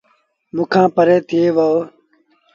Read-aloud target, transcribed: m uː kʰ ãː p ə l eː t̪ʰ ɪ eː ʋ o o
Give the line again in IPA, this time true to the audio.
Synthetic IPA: m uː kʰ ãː p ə ɾ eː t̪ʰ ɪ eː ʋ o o